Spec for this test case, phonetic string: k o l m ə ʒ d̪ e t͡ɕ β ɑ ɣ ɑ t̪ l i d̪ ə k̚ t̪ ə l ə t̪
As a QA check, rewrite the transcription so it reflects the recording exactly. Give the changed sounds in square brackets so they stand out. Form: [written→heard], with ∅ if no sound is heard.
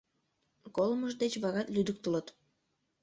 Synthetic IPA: k o l m ə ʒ d̪ e t͡ɕ β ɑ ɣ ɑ t̪ l [i→y] d̪ ə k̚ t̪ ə l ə t̪